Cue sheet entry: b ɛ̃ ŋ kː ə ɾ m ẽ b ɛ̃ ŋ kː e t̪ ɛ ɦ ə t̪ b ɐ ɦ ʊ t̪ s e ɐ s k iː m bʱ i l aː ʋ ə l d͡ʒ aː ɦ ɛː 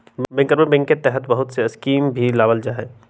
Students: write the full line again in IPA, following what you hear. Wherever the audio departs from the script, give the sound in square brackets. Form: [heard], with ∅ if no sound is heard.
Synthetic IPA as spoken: b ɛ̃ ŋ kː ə ɾ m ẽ b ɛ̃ ŋ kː e t̪ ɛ ɦ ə t̪ b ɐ ɦ ʊ t̪ s e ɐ s k iː m bʱ i l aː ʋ ə l d͡ʒ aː ɦ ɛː